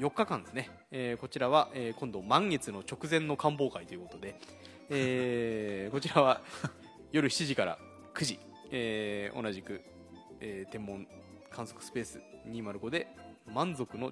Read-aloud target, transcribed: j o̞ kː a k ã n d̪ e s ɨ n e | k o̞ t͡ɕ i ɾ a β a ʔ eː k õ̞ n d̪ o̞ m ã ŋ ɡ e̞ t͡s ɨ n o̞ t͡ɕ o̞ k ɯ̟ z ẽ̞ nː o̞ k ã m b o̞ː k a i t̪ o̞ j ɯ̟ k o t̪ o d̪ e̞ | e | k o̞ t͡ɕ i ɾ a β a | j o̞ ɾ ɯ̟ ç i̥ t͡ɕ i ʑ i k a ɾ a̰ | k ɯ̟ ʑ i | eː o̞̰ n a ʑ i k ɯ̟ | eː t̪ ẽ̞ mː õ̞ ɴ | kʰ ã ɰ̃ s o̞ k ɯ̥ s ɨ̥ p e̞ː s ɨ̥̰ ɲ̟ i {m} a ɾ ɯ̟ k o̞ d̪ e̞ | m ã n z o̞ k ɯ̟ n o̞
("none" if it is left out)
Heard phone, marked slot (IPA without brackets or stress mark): m